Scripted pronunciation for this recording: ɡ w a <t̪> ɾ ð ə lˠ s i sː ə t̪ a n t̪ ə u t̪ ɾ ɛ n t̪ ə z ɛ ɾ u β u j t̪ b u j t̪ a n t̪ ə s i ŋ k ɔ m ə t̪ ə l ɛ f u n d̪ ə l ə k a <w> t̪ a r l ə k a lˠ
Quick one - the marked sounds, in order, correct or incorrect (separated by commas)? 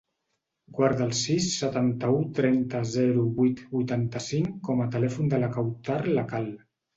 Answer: incorrect, correct